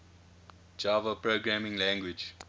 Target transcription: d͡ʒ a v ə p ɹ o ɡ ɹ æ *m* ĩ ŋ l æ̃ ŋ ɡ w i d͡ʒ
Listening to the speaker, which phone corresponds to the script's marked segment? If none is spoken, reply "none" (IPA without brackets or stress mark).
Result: m